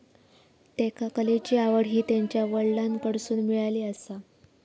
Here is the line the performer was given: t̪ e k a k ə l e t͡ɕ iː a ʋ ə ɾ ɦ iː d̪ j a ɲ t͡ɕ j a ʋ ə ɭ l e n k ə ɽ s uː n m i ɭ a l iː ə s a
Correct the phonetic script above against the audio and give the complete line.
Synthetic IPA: t̪ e k a k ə l e t͡ɕ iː a ʋ ə ɽ ɦ iː t̪ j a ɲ t͡ɕ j a ʋ ə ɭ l a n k ə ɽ s uː n m i ɭ a l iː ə s a